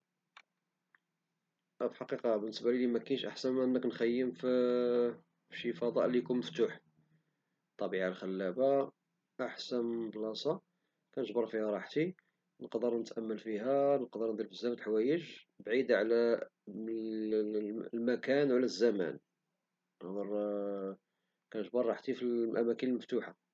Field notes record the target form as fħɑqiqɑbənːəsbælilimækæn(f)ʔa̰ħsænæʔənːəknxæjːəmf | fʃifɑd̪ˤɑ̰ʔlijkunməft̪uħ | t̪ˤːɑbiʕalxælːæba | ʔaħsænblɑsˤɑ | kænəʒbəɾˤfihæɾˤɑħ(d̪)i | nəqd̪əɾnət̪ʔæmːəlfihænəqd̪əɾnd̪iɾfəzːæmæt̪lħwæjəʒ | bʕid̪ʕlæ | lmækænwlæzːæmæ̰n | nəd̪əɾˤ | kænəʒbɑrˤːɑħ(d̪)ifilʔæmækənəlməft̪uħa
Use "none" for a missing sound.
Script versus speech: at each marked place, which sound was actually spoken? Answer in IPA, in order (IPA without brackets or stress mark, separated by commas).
ʃ, t̪, t̪